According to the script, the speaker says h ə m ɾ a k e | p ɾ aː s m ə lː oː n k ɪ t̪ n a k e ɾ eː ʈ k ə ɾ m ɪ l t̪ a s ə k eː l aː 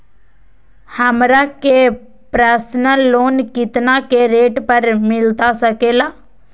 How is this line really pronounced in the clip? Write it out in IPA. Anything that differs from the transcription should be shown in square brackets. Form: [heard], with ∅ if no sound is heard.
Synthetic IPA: h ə m ɾ a k e | p ɾ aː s [n] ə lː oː n k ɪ t̪ n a k e ɾ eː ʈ [p] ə ɾ m ɪ l t̪ a s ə k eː l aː